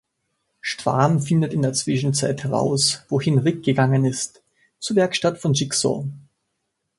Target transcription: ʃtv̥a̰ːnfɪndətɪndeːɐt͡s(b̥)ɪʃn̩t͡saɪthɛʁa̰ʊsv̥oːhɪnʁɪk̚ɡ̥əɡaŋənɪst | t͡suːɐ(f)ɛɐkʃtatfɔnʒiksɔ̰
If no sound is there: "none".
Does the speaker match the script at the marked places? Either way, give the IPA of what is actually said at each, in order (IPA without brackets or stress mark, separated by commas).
v̥, v